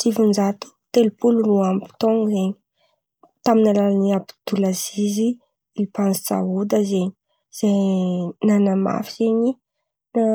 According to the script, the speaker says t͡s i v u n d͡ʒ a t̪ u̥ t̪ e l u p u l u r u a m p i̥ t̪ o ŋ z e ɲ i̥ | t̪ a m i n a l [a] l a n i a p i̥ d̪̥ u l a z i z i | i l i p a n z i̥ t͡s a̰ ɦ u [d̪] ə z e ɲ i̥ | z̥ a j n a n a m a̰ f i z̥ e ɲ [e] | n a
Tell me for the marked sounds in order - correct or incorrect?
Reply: correct, correct, incorrect

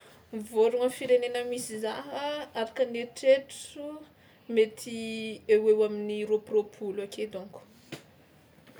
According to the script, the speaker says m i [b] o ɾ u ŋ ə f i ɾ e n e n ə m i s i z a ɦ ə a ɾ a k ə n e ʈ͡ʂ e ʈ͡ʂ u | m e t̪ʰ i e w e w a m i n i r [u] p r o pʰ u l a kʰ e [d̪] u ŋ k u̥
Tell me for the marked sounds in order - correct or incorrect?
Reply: incorrect, incorrect, correct

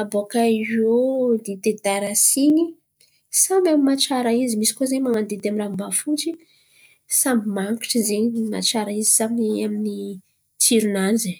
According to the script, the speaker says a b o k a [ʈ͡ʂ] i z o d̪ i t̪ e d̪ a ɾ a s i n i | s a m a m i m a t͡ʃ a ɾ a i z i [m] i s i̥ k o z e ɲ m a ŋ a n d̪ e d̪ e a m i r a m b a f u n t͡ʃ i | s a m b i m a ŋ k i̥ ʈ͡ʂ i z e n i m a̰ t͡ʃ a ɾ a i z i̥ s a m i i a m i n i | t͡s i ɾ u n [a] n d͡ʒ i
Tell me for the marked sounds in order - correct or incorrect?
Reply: incorrect, correct, correct

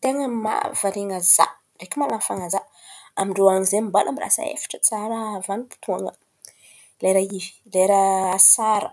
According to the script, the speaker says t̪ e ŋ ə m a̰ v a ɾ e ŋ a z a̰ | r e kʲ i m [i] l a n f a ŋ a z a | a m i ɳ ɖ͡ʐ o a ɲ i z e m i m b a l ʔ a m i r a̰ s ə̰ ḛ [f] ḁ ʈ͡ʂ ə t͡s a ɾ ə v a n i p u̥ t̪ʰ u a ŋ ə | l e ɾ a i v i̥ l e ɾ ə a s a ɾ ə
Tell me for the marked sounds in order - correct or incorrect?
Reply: incorrect, correct

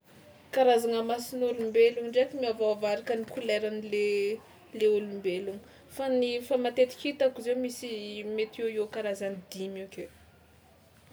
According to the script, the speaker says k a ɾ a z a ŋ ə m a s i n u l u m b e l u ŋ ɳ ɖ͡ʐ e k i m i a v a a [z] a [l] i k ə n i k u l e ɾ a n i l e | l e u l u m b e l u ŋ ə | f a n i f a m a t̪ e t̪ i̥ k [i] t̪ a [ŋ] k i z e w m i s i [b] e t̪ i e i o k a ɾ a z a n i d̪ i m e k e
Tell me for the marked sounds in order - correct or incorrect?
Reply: incorrect, incorrect, correct, incorrect, incorrect

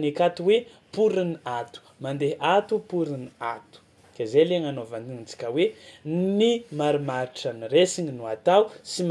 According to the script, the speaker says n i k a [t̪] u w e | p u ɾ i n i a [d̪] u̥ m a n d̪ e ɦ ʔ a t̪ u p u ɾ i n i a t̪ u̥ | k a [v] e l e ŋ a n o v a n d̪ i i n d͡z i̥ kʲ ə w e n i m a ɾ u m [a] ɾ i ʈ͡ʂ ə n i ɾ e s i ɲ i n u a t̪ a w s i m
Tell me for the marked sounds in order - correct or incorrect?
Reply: correct, incorrect, incorrect, correct

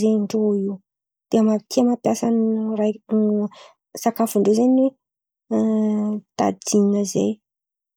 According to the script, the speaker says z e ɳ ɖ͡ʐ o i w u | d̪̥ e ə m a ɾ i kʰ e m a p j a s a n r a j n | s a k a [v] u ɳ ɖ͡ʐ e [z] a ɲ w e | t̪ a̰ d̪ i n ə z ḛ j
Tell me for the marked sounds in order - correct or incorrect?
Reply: incorrect, correct

